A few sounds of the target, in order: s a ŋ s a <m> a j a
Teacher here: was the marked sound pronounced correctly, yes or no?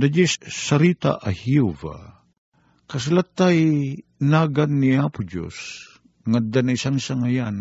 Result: no